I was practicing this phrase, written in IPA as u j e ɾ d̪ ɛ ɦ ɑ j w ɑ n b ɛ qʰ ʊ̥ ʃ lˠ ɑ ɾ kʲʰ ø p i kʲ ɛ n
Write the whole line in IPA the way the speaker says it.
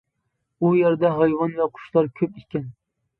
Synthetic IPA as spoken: u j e ɾ d̪ ɛ ɦ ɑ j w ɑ n v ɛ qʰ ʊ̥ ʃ lˠ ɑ ɾ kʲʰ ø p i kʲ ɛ n

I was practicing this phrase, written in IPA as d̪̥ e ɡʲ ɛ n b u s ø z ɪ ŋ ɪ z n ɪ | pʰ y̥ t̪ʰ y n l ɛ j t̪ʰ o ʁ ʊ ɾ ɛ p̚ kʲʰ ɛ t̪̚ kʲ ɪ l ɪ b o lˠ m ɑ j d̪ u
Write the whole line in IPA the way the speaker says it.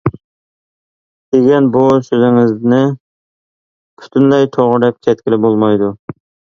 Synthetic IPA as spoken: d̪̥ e ɡʲ ɛ n b u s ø z ɪ ŋ ɪ z n ɪ | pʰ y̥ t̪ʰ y n l ɛ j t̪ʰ o ʁ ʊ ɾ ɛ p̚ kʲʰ ɛ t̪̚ kʲ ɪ l ɪ b o lˠ m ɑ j d̪ u

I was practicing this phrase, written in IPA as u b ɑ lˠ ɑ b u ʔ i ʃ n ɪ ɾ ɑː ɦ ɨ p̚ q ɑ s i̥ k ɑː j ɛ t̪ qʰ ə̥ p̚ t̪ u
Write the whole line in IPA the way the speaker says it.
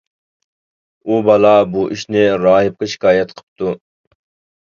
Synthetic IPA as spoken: u b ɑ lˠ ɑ b u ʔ i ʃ n ɪ ɾ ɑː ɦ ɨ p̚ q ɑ ʃ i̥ k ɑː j ɛ t̪ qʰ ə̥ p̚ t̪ u

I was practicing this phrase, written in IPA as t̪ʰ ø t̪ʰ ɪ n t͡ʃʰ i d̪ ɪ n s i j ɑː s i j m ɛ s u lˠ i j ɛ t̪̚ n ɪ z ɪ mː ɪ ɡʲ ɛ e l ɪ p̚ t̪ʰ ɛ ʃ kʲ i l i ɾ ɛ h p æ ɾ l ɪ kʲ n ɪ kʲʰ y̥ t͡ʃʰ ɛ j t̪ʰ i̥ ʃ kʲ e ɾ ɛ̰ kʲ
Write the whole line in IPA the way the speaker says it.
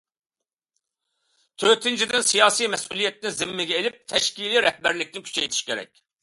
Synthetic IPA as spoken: t̪ʰ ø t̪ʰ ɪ n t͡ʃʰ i d̪ ɪ n s i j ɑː s i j m ɛ s u lˠ i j ɛ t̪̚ n ɪ z ɪ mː ɪ ɡʲ ɛ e l ɪ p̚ t̪ʰ ɛ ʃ kʲ i l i ɾ ɛ h b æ ɾ l ɪ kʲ n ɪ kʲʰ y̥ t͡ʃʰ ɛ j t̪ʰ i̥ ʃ kʲ e ɾ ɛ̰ kʲ

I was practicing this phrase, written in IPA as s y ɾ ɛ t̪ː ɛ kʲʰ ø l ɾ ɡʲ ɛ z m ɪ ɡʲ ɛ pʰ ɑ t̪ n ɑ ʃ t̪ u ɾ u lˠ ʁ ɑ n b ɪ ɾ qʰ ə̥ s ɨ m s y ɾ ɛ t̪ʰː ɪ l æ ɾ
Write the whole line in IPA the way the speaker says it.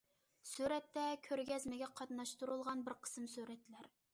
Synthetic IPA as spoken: s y ɾ ɛ t̪ː ɛ kʲʰ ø ɾ ɡʲ ɛ z m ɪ ɡʲ ɛ qʰ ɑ t̪ n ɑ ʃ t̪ u ɾ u lˠ ʁ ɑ n b ɪ ɾ qʰ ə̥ s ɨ m s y ɾ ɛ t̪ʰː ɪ l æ ɾ

